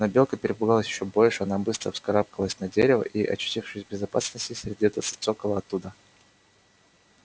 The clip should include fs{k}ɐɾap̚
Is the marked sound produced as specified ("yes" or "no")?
yes